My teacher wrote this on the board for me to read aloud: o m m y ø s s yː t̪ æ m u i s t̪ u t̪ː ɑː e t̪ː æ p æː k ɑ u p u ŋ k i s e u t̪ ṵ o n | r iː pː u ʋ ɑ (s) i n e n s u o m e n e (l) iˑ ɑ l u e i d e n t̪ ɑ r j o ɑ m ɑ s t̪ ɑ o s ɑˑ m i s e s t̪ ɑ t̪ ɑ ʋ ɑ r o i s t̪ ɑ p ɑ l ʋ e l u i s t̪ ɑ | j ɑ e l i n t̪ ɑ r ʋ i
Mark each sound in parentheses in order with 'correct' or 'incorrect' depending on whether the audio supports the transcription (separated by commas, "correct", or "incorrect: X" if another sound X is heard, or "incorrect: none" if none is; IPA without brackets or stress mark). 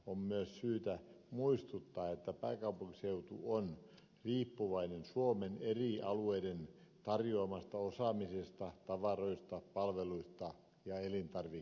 incorrect: none, incorrect: r